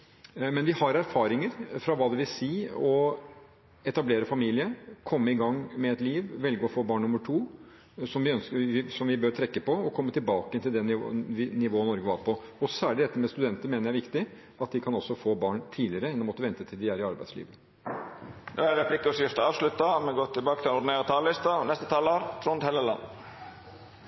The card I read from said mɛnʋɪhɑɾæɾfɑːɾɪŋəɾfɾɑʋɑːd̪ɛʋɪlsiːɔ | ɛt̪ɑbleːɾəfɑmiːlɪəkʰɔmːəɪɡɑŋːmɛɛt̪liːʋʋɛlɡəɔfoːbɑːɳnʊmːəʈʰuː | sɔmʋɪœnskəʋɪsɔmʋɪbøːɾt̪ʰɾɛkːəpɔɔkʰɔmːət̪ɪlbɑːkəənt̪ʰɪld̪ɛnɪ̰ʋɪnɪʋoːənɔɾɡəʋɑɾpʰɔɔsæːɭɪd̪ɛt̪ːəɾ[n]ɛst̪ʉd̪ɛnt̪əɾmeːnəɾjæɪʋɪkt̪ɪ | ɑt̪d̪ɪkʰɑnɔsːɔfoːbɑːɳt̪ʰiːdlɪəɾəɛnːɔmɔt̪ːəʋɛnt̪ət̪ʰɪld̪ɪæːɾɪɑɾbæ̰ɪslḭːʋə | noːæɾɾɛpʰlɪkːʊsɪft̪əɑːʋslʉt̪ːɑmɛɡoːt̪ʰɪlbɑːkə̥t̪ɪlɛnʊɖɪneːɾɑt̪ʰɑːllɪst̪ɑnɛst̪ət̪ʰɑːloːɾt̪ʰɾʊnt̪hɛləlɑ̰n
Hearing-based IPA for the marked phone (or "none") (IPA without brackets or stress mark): m